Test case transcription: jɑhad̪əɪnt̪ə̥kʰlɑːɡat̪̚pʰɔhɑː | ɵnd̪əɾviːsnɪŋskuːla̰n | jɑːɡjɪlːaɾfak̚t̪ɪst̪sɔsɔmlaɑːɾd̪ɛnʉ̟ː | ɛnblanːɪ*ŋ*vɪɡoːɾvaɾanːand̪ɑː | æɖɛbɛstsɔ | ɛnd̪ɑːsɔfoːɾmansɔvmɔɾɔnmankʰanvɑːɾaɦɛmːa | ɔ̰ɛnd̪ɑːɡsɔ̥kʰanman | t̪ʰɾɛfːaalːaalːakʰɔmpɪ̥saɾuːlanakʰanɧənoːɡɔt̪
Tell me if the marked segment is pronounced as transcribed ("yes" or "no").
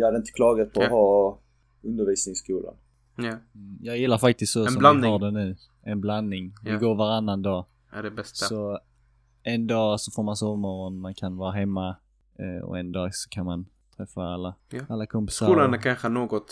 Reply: yes